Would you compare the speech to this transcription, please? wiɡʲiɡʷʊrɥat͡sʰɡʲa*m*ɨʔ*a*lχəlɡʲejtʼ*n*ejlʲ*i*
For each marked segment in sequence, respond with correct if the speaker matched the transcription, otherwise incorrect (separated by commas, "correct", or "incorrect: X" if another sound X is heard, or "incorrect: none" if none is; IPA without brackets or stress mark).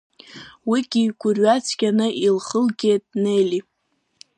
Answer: incorrect: n, incorrect: i, correct, correct